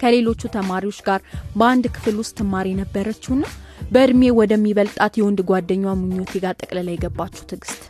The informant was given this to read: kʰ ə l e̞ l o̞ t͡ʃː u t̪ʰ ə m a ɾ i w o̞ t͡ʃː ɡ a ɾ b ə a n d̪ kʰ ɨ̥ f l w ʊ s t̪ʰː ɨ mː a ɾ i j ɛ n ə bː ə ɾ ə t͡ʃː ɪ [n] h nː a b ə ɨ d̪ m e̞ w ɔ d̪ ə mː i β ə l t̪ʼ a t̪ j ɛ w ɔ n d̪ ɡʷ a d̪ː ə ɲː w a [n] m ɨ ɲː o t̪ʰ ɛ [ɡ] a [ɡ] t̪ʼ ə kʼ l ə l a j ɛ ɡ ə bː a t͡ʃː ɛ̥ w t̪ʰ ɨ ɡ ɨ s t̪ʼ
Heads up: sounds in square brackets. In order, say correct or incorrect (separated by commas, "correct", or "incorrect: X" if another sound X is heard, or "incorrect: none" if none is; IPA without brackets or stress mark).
incorrect: none, incorrect: none, correct, incorrect: none